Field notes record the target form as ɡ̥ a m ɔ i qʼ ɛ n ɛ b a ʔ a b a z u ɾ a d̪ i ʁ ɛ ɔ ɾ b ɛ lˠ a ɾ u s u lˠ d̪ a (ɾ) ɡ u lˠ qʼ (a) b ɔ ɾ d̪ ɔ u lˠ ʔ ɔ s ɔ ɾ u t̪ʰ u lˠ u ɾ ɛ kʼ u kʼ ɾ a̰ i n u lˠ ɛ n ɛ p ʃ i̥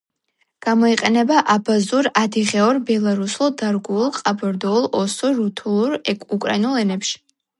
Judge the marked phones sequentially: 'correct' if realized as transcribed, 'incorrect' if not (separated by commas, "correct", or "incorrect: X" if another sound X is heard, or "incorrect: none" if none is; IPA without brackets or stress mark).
correct, correct